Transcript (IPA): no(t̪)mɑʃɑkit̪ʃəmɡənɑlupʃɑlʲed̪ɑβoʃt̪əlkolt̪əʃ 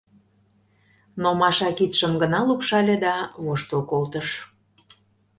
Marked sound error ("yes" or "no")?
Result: yes